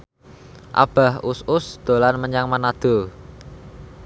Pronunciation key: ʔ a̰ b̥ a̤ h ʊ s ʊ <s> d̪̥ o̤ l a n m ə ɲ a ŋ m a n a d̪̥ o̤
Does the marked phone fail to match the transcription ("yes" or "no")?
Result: no